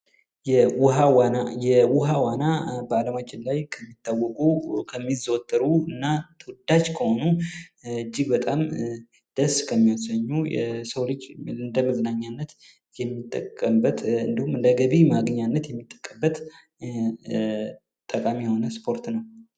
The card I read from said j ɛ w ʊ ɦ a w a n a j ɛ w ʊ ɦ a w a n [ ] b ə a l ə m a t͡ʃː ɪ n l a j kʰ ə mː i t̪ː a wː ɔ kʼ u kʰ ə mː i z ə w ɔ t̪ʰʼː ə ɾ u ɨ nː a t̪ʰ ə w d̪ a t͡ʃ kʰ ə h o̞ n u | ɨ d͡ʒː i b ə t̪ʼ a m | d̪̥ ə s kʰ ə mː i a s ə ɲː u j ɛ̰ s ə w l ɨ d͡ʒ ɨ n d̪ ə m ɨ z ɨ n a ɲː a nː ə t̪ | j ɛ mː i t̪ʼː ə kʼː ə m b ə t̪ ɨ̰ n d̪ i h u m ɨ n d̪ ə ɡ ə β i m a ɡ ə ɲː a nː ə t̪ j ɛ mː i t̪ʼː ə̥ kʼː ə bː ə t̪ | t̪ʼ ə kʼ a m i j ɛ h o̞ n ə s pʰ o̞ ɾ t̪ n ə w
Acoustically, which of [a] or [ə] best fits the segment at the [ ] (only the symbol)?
a